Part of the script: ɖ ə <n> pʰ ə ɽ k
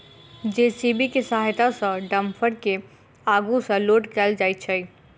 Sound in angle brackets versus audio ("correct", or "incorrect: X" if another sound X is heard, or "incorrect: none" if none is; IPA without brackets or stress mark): incorrect: m